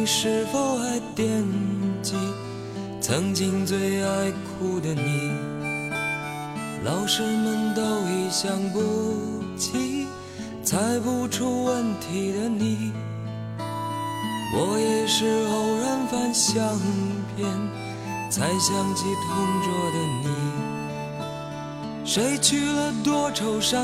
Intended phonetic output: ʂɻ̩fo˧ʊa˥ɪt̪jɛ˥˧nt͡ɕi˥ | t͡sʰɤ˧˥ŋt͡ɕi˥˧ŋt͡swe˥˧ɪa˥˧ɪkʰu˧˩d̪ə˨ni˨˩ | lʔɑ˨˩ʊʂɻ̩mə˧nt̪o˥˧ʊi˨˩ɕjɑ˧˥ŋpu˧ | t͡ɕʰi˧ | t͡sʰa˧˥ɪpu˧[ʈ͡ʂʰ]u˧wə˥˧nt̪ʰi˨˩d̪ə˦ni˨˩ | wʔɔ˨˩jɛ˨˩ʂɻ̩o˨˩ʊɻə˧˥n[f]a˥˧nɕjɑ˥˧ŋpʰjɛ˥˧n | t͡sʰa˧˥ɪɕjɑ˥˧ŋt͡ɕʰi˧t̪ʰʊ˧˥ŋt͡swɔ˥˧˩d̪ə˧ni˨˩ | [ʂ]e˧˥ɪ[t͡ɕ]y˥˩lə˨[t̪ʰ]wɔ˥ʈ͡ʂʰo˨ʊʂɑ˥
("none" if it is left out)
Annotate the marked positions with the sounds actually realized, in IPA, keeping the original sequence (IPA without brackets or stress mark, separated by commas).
ʈ͡ʂʰ, f, ʂ, t͡ɕʰ, t̪